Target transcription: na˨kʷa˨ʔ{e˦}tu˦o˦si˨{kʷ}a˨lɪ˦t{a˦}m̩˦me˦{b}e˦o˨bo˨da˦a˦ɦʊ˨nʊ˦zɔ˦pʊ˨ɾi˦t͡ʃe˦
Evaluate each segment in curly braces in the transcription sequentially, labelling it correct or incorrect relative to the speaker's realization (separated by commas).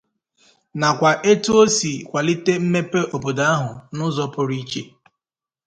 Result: correct, correct, incorrect, incorrect